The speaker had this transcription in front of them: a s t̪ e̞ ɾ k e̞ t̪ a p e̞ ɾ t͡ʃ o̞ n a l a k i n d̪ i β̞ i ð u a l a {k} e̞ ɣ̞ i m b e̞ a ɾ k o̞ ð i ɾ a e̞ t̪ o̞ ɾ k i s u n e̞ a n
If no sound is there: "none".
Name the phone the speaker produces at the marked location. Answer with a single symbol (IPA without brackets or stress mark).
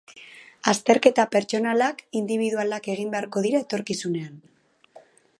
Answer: k